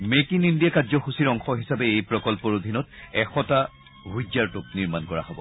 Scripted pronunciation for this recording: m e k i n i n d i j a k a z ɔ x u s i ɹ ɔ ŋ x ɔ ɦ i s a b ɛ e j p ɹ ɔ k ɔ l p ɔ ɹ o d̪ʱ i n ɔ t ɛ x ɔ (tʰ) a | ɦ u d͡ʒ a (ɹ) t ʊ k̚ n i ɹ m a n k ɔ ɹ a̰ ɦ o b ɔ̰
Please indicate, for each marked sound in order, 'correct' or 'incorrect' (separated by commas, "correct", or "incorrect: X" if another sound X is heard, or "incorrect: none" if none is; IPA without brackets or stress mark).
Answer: incorrect: t, correct